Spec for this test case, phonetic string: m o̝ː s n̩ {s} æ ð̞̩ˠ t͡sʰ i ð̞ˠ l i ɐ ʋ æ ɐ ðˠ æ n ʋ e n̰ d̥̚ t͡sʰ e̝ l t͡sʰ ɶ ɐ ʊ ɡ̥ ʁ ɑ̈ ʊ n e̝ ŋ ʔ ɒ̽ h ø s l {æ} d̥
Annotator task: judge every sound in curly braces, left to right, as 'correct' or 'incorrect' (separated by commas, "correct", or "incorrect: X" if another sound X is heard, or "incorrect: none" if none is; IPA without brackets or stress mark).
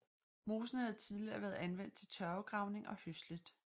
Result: incorrect: h, incorrect: i